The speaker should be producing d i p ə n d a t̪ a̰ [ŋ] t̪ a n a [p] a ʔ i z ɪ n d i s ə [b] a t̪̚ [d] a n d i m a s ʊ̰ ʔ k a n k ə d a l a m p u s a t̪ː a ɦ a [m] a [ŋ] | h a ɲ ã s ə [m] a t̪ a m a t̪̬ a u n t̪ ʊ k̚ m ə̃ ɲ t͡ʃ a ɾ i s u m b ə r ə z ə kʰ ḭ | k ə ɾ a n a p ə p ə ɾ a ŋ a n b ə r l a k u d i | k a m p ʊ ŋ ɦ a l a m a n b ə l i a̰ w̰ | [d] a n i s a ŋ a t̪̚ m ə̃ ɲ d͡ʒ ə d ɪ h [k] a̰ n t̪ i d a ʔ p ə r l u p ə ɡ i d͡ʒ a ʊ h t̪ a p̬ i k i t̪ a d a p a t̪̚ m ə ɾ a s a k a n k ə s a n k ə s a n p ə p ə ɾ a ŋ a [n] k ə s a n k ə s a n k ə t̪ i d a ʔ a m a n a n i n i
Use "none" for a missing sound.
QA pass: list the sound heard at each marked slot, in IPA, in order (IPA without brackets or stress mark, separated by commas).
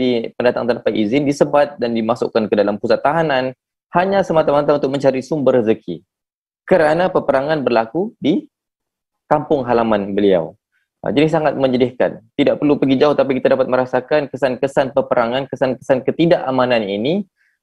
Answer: ŋ, p, b, d, n, n, m, d͡ʒ, k, n